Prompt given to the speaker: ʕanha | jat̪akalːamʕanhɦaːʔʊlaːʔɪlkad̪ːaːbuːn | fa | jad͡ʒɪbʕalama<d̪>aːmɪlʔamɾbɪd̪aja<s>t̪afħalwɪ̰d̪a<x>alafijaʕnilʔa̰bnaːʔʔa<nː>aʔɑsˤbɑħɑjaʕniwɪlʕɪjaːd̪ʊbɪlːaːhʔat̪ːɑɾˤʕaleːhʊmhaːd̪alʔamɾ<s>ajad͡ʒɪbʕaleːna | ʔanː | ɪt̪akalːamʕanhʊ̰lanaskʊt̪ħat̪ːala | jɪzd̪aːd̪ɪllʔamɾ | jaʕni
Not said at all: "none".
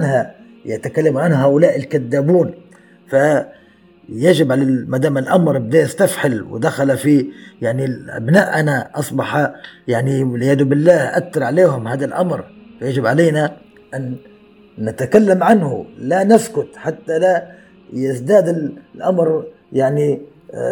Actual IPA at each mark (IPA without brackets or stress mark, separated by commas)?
d̪, s, x, n, f